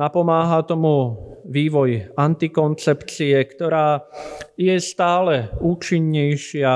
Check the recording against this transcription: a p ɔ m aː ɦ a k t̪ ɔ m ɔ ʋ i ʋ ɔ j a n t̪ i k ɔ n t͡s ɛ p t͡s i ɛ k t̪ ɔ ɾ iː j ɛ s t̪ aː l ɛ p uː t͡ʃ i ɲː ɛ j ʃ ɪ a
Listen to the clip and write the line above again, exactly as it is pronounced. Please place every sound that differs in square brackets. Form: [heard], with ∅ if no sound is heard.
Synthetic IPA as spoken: a p ɔ m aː ɦ a [∅] t̪ ɔ m [u] ʋ [iː] ʋ ɔ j a n t̪ i k ɔ n t͡s ɛ p t͡s i ɛ k t̪ ɔ ɾ [aː] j ɛ s t̪ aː l ɛ [∅] uː t͡ʃ i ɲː ɛ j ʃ ɪ a